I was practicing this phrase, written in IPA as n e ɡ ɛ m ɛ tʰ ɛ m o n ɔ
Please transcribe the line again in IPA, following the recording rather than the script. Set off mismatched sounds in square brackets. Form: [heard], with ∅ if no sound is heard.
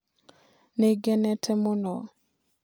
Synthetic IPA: n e ɡ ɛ [n] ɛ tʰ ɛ m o n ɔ